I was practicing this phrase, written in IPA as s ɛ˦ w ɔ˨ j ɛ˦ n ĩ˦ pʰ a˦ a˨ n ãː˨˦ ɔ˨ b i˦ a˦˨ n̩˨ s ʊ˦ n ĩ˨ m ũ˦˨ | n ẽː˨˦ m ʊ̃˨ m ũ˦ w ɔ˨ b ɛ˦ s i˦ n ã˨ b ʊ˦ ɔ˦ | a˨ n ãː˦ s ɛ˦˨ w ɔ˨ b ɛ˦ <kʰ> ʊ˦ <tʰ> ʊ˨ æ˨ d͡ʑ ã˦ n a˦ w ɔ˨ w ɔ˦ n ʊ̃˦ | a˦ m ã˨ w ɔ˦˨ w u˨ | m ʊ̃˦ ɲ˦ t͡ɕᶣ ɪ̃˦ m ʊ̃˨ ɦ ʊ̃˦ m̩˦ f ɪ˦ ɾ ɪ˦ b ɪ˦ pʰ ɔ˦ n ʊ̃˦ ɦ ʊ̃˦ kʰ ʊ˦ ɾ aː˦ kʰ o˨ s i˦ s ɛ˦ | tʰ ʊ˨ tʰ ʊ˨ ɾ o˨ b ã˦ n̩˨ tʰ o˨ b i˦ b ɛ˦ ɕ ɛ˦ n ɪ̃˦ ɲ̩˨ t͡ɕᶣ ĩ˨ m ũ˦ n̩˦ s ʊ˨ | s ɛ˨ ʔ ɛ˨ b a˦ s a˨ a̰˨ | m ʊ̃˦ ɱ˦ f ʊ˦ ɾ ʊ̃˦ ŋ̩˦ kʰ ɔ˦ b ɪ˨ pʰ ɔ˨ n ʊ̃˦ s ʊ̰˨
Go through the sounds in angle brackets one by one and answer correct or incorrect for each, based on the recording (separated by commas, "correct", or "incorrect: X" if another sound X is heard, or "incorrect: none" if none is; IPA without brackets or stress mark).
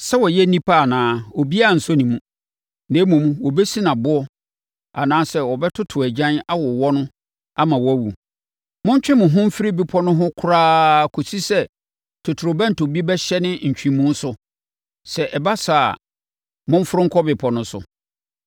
incorrect: tʰ, correct